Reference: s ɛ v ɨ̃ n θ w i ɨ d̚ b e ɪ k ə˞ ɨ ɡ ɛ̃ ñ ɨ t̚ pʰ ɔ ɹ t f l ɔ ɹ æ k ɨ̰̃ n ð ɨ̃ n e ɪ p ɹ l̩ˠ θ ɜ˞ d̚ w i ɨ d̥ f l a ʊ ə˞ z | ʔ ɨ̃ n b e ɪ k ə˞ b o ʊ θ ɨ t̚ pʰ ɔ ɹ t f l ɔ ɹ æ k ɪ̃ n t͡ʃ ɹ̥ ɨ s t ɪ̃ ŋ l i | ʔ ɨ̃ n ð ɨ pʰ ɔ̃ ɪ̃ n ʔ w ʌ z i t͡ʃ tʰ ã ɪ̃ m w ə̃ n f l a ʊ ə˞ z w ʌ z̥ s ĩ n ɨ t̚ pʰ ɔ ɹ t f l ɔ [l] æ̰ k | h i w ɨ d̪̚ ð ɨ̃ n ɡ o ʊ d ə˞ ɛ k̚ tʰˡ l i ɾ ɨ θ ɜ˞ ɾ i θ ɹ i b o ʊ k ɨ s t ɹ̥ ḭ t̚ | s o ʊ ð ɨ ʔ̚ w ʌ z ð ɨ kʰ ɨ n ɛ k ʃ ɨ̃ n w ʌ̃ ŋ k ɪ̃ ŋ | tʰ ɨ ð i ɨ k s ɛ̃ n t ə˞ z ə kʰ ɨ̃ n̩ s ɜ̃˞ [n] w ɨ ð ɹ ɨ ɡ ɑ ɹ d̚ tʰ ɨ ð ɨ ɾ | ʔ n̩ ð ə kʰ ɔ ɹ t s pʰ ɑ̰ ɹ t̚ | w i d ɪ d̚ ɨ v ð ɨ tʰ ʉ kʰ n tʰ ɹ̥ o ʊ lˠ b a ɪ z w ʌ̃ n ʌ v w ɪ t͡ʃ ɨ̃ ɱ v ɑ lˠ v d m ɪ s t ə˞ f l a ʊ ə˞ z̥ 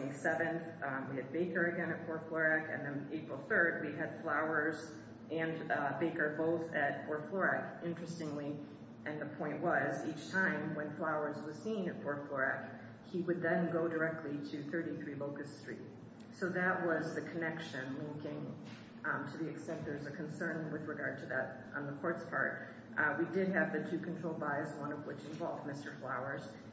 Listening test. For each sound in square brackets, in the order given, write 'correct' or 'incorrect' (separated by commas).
incorrect, correct